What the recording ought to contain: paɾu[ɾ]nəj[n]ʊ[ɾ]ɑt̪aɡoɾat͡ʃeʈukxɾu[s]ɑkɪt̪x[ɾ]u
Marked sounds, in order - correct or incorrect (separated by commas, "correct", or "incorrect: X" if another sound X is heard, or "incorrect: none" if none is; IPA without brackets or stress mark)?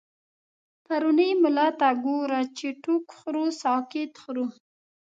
incorrect: none, incorrect: m, incorrect: l, correct, correct